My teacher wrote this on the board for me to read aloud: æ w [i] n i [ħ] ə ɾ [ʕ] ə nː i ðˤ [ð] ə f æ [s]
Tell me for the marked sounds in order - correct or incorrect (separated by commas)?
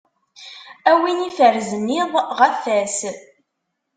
correct, incorrect, incorrect, incorrect, correct